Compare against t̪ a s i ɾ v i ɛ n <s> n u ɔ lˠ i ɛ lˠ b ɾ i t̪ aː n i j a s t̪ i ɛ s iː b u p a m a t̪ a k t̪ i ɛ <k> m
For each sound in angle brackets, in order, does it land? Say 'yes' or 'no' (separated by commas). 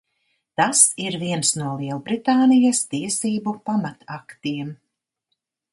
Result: yes, no